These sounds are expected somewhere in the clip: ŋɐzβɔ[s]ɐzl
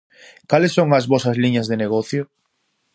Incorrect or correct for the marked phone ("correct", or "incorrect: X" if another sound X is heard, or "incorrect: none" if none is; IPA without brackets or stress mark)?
correct